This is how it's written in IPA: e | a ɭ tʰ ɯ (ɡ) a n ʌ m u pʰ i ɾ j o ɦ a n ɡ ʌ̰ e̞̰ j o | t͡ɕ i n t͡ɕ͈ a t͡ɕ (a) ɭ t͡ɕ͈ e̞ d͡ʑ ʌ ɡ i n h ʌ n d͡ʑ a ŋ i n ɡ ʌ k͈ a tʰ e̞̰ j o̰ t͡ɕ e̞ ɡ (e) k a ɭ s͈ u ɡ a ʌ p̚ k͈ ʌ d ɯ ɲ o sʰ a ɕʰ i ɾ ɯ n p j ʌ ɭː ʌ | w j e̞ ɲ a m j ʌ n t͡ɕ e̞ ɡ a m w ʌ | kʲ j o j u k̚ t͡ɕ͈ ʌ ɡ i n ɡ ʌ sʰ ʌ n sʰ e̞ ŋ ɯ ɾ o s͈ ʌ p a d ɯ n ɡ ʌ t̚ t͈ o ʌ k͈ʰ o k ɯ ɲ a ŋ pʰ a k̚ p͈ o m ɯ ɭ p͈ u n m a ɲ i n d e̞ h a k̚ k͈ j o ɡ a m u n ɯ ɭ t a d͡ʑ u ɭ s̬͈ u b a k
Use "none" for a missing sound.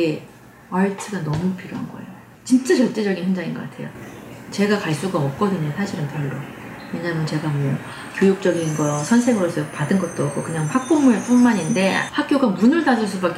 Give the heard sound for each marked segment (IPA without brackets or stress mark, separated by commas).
ɡ, ʌ, a